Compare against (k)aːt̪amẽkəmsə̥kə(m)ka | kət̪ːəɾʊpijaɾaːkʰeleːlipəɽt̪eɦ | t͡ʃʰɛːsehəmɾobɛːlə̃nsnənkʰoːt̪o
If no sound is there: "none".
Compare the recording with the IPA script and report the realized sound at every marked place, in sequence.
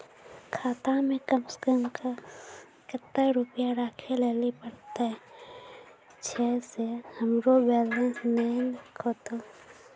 kʰ, m

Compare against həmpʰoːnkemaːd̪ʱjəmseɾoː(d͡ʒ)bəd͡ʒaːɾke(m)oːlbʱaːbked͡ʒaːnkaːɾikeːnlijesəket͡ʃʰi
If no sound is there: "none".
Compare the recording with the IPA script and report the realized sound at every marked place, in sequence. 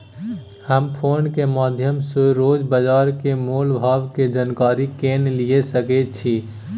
d͡ʒ, m

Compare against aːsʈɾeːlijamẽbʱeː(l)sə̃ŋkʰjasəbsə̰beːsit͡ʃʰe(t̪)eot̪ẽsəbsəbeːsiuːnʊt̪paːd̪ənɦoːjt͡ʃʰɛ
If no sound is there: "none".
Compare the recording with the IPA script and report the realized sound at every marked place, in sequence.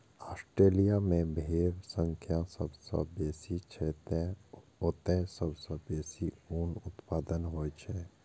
ɾ, t̪

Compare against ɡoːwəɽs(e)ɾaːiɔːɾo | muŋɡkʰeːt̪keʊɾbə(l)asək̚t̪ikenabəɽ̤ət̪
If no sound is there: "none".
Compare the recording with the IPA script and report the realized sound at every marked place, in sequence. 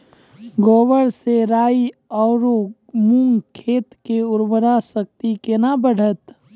e, ɾ

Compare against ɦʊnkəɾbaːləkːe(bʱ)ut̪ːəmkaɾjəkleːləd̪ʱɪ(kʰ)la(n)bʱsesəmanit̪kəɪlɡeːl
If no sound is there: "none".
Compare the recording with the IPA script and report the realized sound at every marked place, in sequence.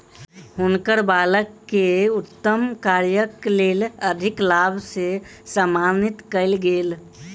none, k, none

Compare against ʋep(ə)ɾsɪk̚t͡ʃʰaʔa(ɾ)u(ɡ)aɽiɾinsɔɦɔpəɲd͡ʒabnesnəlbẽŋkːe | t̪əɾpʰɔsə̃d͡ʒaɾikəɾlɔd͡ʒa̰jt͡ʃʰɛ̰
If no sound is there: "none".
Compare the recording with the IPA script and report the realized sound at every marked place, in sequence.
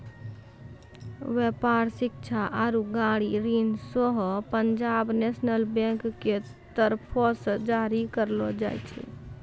a, ɾ, ɡ

